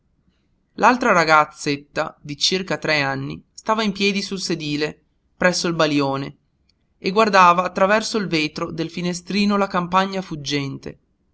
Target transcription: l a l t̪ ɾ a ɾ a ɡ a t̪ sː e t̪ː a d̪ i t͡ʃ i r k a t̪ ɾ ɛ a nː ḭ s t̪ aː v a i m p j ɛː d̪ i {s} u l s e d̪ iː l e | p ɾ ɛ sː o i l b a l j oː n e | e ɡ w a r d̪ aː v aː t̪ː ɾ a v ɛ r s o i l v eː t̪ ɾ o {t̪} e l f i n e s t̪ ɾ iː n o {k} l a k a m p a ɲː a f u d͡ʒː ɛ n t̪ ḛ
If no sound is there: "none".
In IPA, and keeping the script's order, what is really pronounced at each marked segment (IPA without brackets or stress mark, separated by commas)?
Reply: s, d̪, none